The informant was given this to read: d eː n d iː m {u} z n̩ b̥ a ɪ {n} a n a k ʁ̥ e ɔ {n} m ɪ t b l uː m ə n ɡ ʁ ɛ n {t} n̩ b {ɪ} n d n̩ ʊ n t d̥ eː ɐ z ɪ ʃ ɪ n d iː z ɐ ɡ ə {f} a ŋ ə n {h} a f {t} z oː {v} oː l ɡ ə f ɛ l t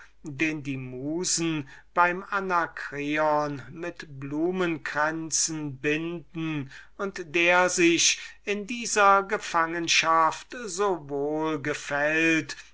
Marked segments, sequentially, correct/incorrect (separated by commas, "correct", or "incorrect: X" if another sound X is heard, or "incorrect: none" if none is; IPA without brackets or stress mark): incorrect: uː, incorrect: m, correct, incorrect: t͡s, correct, correct, incorrect: ʃ, correct, correct